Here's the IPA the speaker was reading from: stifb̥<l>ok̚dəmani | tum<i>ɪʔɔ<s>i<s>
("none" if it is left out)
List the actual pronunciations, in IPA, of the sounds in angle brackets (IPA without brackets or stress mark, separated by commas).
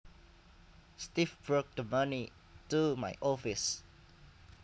ɹ, a, f, s